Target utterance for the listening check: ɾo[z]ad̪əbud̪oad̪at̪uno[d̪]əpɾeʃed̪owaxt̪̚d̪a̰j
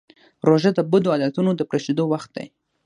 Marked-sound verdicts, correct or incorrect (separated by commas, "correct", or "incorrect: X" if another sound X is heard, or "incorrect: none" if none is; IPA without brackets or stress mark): incorrect: ʒ, correct